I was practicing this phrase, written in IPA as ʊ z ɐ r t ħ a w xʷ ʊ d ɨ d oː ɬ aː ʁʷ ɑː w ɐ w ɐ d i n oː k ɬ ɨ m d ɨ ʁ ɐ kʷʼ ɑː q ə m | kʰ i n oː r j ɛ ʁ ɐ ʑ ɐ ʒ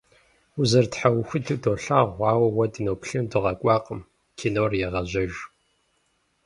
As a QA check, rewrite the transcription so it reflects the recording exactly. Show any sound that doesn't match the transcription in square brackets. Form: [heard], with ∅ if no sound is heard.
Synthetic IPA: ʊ z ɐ r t ħ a w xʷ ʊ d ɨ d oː ɬ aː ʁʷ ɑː w ɐ w ɐ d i n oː [p] ɬ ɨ m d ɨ ʁ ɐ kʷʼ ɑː q ə m | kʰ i n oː r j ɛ ʁ ɐ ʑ ɐ ʒ